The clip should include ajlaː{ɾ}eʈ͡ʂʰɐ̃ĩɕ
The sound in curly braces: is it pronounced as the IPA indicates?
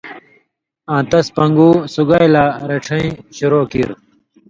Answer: yes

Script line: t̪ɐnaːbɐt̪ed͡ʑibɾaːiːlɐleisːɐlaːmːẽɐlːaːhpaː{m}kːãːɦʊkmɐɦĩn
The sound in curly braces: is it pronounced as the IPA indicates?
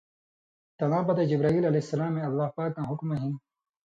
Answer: no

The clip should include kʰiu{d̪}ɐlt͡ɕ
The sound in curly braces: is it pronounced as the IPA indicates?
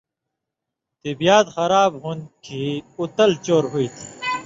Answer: no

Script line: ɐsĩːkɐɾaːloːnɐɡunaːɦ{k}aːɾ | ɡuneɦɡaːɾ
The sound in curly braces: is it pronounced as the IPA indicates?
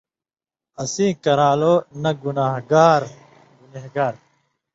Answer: no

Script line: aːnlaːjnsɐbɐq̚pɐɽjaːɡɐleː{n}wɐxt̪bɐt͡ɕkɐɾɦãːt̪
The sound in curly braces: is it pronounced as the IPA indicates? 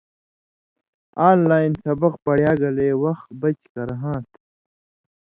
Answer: no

